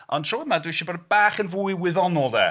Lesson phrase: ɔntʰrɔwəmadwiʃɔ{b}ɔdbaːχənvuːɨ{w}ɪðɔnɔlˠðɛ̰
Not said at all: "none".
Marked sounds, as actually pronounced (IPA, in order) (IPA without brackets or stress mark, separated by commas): b, w